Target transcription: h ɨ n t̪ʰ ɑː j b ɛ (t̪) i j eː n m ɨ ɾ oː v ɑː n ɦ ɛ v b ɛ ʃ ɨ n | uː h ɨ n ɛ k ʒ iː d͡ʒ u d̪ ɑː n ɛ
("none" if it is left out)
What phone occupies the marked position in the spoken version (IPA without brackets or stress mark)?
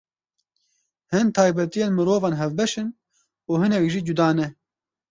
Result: t̪